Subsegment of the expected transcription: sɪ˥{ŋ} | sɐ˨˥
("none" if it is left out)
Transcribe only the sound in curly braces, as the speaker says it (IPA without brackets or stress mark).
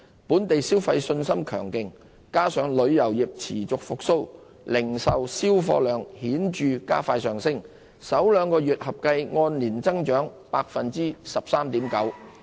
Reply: ŋ